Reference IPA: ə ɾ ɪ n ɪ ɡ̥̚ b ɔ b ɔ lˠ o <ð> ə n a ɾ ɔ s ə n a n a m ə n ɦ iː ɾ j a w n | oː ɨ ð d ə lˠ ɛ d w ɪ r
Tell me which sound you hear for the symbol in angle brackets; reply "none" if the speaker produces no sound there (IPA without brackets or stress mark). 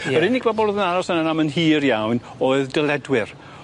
ð